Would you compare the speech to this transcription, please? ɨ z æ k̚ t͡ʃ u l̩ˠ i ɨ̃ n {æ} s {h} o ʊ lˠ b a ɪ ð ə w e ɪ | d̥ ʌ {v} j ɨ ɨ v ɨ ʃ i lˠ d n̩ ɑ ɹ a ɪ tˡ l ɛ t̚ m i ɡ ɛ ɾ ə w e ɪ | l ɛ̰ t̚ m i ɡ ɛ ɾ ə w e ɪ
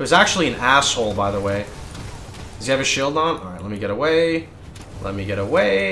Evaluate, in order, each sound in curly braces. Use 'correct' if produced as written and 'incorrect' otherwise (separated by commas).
correct, correct, incorrect